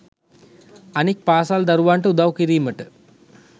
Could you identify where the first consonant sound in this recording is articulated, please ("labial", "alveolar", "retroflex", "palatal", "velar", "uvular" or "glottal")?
alveolar